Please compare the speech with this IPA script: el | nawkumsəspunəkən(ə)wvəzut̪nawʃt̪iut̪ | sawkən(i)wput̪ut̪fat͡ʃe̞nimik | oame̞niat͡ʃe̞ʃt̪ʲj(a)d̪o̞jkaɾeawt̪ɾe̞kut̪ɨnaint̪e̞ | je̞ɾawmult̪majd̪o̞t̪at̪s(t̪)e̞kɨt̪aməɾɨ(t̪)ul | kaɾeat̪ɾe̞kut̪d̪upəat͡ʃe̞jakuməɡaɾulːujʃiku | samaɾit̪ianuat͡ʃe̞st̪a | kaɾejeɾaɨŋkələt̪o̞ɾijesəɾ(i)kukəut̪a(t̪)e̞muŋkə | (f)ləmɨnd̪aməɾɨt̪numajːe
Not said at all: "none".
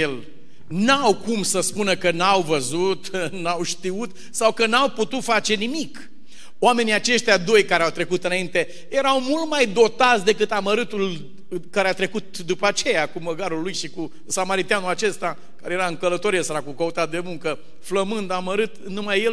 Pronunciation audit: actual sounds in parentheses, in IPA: a, a, a, d̪, t̪, a, d̪, f

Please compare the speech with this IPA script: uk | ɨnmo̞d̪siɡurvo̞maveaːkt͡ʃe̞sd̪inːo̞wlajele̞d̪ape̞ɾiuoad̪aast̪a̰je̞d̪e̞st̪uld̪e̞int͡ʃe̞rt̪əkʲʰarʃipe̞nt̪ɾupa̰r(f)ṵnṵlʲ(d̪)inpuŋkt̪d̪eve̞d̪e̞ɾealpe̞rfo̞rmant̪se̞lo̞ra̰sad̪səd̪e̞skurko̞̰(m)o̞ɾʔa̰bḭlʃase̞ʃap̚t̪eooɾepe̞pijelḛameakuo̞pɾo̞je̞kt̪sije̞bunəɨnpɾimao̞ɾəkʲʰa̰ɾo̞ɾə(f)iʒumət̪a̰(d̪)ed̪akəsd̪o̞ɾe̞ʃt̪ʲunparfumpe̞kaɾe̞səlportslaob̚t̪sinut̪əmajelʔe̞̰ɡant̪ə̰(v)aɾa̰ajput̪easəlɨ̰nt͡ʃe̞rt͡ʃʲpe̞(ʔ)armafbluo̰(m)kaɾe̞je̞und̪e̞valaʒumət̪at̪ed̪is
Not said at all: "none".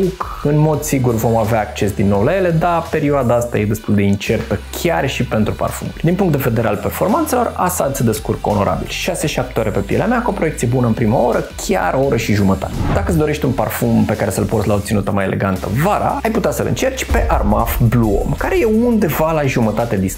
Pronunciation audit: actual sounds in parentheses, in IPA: f, d̪, n, ʃ, t̪, v, ʔ, m

